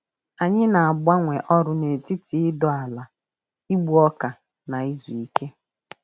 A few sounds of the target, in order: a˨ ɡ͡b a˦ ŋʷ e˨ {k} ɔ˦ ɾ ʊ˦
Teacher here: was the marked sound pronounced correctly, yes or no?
no